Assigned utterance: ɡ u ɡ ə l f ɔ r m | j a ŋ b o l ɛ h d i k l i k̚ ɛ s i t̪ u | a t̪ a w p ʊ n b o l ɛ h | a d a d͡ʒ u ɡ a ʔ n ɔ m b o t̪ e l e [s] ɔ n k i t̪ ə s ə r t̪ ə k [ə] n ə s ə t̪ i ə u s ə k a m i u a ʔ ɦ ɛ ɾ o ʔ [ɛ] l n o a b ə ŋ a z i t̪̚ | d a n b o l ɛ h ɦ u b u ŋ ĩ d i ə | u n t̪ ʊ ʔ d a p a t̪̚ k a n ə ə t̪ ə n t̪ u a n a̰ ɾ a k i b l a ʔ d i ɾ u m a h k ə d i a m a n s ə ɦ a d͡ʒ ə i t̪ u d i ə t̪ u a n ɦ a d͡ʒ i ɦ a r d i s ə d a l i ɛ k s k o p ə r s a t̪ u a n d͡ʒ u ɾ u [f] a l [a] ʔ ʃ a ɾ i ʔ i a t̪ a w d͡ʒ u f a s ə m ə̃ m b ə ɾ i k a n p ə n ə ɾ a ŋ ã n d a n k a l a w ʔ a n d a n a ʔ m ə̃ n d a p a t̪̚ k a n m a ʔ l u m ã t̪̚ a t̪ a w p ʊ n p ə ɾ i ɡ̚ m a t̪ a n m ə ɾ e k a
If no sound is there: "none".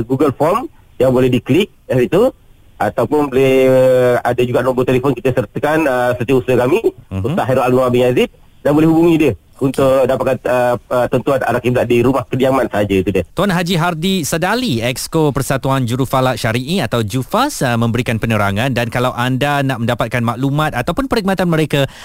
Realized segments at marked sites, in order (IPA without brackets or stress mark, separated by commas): f, a, a, f, a